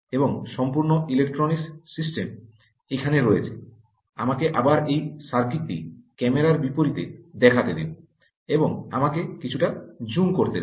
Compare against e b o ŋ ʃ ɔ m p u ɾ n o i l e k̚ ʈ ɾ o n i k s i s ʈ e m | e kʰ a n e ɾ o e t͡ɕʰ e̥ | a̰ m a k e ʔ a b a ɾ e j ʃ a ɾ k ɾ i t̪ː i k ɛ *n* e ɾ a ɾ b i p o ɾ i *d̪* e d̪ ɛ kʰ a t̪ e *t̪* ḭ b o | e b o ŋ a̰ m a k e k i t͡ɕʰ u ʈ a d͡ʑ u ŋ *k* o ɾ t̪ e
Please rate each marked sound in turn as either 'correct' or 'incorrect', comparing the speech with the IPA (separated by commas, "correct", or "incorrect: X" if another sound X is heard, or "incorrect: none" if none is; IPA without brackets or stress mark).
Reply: incorrect: m, incorrect: t̪, incorrect: d̪, correct